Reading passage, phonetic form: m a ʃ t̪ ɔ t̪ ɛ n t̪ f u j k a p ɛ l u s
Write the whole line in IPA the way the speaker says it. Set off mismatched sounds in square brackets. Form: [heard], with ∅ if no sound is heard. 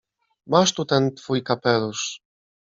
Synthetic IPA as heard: m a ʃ t̪ [u] t̪ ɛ n t̪ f u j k a p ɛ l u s